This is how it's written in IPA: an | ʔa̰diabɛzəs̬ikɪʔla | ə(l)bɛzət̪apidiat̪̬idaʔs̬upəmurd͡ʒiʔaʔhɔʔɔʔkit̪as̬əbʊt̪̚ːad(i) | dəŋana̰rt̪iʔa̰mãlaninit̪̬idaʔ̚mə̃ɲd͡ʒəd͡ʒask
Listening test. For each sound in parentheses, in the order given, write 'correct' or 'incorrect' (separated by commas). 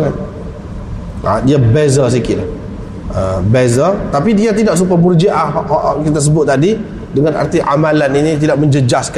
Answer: incorrect, correct